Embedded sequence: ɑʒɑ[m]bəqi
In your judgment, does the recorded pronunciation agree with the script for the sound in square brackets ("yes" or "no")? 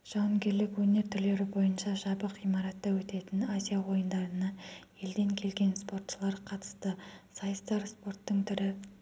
no